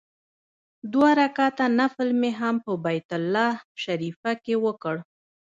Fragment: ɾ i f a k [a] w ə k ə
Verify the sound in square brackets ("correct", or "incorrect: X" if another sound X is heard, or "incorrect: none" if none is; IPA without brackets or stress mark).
incorrect: e